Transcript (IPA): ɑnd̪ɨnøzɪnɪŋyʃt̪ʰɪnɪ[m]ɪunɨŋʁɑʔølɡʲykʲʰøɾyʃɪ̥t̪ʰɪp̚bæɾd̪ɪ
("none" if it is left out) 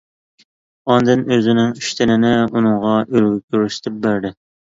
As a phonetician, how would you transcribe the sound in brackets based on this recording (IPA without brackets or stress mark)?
n